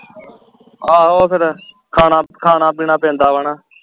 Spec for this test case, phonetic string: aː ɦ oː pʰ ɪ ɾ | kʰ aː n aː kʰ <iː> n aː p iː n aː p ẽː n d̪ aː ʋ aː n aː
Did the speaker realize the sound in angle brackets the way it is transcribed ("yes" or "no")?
no